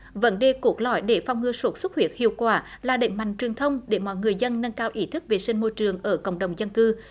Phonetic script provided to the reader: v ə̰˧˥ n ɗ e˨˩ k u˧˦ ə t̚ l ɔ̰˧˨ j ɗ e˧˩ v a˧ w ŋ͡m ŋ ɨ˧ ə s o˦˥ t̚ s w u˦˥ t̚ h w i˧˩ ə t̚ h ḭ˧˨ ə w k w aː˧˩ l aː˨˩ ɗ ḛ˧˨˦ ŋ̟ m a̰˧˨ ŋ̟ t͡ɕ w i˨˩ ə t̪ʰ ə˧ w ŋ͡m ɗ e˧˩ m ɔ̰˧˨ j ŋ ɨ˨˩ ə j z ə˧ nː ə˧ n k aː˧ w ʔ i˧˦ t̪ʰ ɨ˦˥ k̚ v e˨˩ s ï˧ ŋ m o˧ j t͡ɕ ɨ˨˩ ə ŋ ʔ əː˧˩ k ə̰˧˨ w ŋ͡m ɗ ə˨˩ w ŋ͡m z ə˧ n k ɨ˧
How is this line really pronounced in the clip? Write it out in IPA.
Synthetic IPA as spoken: v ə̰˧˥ n ɗ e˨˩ k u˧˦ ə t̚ l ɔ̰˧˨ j ɗ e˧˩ f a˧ w ŋ͡m ŋ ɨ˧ ə s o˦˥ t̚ s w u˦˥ t̚ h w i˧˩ ə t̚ h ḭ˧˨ ə w k w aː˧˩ l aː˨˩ ɗ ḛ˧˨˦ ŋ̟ m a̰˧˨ ŋ̟ t͡ɕ w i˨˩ ə t̪ʰ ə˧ w ŋ͡m ɗ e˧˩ m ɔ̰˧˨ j ŋ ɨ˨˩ ə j z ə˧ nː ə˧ n k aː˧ w ʔ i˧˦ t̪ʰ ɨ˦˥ k̚ v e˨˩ s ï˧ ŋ m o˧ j t͡ɕ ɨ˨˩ ə ŋ ʔ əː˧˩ k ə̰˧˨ w ŋ͡m ɗ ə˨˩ w ŋ͡m z ə˧ n k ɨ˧

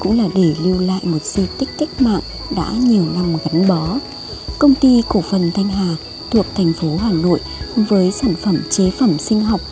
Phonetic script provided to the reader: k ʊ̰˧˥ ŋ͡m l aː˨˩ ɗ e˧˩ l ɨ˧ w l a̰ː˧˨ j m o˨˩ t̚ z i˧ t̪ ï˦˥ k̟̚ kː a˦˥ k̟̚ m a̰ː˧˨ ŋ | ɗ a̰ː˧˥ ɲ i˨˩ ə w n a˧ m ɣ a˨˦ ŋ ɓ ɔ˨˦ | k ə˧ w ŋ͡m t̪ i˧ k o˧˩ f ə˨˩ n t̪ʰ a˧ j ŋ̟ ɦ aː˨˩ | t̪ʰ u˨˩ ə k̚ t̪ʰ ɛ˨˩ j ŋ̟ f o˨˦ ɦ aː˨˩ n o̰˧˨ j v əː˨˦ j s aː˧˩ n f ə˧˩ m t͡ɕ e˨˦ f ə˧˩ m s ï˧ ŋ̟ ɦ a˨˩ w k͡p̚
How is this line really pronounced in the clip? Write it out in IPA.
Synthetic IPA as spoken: k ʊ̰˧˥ ŋ͡m l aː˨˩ ɗ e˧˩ l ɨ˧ w l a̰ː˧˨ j m o˨˩ t̚ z i˧ t̪ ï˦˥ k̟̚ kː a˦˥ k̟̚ m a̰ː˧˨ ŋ | ɗ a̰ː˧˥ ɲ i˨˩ ə w n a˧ m ɣ a˨˦ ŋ ɓ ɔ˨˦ | k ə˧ w ŋ͡m t̪ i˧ k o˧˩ f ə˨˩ n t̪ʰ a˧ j ŋ̟ ɦ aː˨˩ | t̪ʰ u˨˩ ə k̚ t̪ʰ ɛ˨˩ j ŋ̟ f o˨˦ ɦ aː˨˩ n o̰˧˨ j v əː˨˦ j s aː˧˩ n f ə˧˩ m t͡ɕ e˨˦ f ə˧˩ m s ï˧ ŋ̟ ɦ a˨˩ w k͡p̚

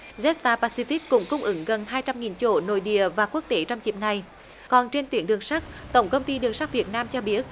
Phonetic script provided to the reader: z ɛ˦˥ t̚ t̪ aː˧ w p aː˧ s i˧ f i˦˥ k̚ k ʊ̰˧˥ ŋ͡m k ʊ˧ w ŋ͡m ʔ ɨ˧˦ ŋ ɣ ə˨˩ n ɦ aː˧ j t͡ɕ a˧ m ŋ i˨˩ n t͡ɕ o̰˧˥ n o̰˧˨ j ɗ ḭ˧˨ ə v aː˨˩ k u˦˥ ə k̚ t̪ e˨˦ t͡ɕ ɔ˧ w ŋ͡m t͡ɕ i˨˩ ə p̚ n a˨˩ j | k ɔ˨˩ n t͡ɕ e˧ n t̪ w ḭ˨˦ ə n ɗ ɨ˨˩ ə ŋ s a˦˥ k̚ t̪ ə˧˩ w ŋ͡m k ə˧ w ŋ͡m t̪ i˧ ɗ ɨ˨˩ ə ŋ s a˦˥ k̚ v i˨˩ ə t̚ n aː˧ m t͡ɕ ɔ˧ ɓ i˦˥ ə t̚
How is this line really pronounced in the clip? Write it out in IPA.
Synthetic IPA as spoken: z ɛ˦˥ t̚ t̪ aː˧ p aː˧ s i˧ f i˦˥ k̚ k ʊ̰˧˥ ŋ͡m k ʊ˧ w ŋ͡m ʔ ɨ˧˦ ŋ ɣ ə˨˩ n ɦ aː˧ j t͡ɕ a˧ m ŋ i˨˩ n t͡ɕ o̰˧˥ n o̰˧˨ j ɗ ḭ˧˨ ə v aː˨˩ k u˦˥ ə k̚ t̪ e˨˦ t͡ɕ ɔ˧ w ŋ͡m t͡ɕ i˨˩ ə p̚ n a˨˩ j | k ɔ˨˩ n t͡ɕ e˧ n t̪ w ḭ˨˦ ə n ɗ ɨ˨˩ ə ŋ s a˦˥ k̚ t̪ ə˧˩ w ŋ͡m k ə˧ w ŋ͡m t̪ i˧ ɗ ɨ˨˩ ə ŋ s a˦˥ k̚ v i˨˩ ə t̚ n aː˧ m t͡ɕ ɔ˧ ɓ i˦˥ ə t̚

